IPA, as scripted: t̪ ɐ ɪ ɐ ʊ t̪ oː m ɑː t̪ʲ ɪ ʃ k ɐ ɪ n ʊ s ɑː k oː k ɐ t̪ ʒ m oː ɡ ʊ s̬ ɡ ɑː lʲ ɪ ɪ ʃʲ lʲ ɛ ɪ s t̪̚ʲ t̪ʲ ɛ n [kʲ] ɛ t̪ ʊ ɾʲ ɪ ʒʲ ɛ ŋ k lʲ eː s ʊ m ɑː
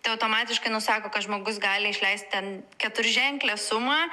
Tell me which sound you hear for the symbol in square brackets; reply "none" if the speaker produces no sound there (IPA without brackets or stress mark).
kʲ